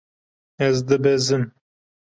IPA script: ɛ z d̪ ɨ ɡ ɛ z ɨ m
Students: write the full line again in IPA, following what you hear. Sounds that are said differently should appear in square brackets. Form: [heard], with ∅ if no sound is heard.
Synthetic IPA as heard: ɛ z d̪ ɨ [b] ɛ z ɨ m